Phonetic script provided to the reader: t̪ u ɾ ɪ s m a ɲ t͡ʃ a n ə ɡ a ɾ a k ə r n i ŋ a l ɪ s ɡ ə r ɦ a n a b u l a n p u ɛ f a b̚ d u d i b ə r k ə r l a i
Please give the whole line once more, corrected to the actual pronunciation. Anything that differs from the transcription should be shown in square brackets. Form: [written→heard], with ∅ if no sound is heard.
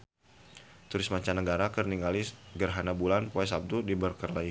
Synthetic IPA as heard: t̪ u ɾ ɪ s m a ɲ t͡ʃ a n ə ɡ a ɾ a k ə r n i ŋ a l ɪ s ɡ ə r ɦ a n a b u l a n p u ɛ [f→s] a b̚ d u d i b ə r k ə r l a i